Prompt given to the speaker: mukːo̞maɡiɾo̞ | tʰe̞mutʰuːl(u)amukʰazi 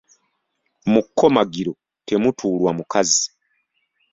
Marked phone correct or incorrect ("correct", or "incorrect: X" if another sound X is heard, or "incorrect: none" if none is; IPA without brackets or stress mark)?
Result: incorrect: w